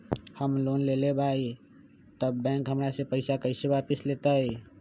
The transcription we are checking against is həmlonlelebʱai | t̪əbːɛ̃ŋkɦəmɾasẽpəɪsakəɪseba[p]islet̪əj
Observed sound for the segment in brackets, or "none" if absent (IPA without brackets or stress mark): p